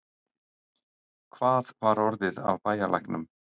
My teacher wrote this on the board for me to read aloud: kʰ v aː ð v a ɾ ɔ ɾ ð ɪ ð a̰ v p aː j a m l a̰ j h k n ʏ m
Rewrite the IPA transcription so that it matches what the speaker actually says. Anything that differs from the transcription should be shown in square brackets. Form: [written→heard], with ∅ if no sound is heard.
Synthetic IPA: kʰ v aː ð v a ɾ ɔ ɾ ð ɪ ð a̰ v p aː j a [m→∅] l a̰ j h k n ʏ m